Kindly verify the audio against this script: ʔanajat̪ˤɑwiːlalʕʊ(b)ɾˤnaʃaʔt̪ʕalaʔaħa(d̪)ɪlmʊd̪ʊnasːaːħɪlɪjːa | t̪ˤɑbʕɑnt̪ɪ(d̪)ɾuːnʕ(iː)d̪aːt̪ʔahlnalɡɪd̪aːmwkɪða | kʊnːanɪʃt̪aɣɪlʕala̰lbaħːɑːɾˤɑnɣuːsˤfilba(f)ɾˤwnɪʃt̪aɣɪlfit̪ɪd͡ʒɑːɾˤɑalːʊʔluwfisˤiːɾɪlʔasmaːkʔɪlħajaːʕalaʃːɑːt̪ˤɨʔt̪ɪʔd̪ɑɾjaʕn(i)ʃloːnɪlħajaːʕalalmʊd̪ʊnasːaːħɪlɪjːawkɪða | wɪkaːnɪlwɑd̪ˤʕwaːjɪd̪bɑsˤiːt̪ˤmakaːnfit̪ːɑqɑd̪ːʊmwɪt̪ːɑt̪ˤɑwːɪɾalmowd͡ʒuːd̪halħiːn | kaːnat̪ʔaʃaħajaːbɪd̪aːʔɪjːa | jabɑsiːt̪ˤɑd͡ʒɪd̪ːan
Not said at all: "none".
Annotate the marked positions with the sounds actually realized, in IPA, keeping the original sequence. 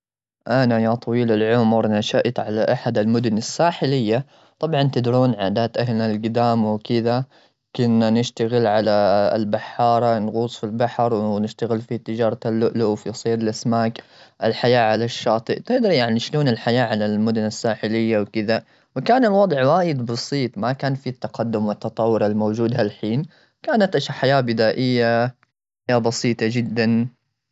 m, d̪, d̪, aː, ħ, i

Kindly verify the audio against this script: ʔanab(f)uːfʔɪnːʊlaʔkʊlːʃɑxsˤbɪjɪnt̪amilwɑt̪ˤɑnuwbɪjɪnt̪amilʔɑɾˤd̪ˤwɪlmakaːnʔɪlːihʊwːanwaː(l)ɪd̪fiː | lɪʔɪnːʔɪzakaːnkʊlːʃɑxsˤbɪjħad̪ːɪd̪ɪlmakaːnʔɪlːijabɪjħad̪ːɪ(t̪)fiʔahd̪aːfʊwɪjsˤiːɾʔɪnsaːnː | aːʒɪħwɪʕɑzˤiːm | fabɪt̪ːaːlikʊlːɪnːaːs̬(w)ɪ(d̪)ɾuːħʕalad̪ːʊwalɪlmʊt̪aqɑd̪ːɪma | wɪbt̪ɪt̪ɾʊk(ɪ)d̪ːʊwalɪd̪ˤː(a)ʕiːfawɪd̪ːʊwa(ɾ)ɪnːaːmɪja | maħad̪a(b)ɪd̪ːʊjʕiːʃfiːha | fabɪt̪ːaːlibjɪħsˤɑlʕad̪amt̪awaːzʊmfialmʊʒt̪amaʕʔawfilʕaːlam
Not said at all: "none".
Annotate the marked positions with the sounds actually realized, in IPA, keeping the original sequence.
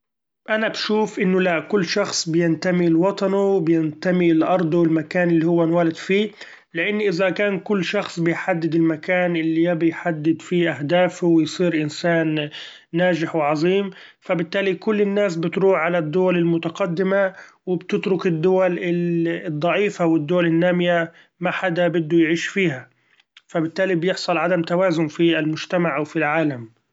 ʃ, l, d̪, b, t̪, ɪ, ɑ, l, b

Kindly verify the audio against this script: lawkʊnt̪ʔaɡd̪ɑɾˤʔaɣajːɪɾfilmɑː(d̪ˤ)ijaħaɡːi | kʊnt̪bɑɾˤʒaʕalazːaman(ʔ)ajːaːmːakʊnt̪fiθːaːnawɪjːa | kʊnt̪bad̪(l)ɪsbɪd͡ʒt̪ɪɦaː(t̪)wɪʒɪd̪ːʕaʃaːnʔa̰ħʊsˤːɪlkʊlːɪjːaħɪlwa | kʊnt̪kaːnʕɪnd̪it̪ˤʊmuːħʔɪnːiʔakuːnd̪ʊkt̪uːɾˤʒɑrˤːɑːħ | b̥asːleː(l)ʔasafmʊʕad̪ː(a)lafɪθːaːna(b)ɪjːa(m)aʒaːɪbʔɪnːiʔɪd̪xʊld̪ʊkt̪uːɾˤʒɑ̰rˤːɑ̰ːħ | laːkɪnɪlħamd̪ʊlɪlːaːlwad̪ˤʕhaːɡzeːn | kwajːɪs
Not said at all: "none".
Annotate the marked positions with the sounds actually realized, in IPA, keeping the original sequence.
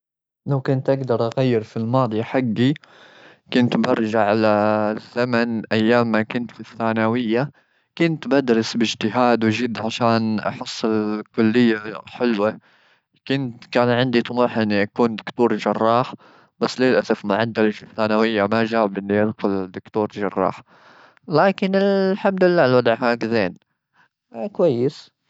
d̪ˤ, ʔ, ɾ, d̪, l, a, w, m

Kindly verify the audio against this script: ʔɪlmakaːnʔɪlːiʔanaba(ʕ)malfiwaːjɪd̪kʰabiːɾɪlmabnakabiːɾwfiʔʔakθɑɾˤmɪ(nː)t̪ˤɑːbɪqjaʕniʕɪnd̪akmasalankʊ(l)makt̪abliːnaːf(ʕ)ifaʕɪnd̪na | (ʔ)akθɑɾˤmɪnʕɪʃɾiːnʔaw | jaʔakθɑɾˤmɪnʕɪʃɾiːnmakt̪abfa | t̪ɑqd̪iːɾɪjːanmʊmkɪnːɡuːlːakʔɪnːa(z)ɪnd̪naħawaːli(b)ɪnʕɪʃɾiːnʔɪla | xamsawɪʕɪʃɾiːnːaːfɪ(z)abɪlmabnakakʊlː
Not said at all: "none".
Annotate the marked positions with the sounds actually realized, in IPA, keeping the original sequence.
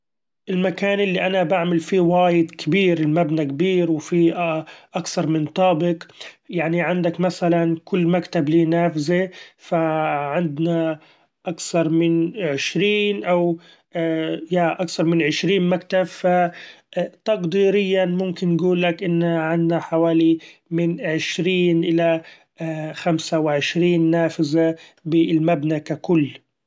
ʕ, n, lː, z, ʔ, ʕ, m, z

